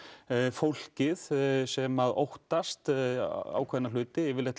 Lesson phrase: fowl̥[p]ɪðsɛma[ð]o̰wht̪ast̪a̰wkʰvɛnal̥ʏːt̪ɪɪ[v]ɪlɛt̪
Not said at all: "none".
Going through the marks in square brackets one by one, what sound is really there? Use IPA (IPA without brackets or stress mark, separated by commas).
c, ð, v